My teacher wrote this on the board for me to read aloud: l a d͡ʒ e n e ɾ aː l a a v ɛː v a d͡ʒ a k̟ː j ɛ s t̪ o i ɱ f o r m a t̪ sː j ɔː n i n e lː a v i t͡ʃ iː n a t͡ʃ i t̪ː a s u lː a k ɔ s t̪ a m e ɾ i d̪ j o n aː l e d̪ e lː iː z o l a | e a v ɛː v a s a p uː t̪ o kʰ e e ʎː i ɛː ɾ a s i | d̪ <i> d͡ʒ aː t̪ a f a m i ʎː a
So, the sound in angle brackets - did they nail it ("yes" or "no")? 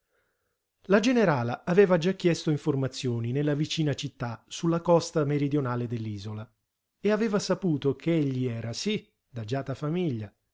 no